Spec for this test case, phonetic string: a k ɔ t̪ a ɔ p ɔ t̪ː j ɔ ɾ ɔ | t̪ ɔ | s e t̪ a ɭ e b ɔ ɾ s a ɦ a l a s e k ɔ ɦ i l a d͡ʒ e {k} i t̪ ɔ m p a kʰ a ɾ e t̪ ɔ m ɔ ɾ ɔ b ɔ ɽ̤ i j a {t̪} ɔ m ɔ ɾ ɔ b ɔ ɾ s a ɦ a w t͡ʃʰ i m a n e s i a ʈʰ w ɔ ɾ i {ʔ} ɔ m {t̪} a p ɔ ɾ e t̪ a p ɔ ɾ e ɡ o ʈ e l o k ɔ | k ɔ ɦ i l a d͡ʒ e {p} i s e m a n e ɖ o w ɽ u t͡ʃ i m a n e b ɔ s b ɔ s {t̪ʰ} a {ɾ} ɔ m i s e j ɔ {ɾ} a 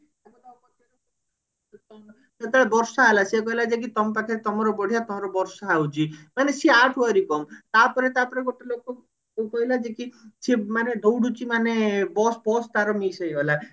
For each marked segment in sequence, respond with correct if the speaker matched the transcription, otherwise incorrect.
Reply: correct, correct, incorrect, correct, incorrect, incorrect, correct, incorrect

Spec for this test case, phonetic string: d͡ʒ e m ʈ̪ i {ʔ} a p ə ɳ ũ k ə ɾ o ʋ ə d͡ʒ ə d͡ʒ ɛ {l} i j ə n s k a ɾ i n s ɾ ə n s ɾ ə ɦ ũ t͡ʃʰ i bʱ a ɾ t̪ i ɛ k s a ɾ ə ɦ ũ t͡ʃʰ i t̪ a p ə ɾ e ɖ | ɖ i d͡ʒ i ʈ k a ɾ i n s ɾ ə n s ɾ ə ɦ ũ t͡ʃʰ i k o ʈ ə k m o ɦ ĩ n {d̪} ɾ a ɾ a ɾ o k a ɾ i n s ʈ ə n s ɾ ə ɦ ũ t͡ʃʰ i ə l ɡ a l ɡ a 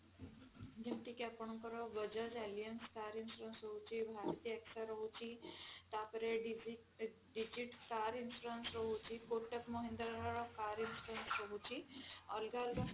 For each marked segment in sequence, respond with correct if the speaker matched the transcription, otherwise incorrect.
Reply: incorrect, correct, correct

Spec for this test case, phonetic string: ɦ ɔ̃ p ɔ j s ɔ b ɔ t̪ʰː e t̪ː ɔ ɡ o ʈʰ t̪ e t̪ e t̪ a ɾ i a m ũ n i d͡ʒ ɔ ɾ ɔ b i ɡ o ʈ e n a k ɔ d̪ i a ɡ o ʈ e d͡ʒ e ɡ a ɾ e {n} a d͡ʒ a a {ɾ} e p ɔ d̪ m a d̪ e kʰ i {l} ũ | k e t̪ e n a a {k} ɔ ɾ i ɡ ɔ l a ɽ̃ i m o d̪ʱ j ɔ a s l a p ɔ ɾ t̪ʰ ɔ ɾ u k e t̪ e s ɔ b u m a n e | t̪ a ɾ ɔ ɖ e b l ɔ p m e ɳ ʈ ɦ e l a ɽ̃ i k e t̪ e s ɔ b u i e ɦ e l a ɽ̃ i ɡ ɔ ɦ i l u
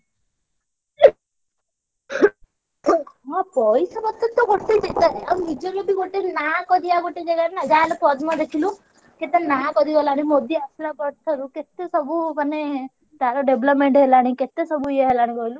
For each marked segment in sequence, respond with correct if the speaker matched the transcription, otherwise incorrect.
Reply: correct, incorrect, correct, correct

